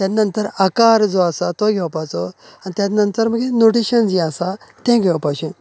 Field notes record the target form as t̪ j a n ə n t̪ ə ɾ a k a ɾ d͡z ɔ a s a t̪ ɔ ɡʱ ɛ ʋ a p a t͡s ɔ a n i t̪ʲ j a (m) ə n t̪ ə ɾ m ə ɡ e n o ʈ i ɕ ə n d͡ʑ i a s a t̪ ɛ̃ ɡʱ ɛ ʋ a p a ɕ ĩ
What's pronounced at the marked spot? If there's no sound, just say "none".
n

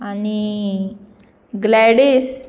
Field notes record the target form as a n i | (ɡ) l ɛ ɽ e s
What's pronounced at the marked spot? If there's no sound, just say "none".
ɡ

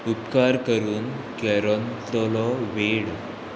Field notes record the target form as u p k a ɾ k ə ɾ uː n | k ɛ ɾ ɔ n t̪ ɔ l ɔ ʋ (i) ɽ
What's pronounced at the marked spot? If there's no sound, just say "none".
e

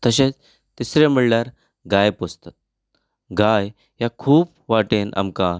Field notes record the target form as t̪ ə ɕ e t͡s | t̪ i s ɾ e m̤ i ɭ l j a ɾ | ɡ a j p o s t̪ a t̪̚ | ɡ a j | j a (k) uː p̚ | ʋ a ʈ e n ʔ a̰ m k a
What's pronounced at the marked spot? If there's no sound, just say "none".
kʰ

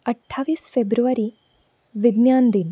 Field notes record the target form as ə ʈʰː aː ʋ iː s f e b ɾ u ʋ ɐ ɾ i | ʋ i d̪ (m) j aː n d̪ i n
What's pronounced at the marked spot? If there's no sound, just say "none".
n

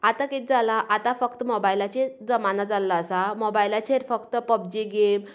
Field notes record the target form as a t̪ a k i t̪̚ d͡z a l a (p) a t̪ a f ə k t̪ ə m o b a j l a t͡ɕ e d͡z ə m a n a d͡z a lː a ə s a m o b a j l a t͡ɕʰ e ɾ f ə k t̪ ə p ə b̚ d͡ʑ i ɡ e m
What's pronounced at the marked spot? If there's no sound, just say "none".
ʔ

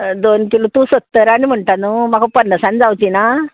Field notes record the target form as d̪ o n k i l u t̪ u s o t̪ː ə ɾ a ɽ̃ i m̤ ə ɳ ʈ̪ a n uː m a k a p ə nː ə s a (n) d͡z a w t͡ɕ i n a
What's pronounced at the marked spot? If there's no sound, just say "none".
n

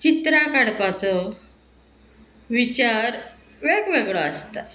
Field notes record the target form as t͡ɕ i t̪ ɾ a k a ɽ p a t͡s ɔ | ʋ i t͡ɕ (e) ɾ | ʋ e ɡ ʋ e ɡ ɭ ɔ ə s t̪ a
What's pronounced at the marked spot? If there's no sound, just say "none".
a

